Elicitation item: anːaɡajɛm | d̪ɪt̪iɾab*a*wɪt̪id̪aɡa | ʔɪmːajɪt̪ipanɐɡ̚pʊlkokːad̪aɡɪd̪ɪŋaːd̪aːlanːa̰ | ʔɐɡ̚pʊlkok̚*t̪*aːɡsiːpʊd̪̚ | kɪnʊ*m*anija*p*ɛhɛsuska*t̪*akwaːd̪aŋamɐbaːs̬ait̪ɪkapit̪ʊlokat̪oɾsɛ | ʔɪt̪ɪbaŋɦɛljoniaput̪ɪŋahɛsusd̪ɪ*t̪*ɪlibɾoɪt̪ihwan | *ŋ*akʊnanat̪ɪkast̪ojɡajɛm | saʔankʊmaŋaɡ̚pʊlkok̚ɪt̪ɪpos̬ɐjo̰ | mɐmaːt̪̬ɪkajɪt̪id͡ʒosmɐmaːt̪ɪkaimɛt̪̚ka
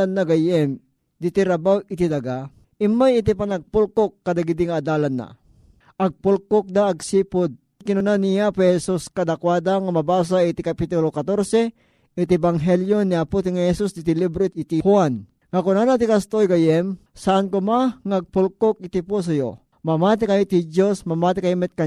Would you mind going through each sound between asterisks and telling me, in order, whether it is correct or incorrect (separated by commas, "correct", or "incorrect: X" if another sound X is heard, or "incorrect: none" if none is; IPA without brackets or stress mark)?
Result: correct, incorrect: d̪, incorrect: n, correct, incorrect: d̪, correct, correct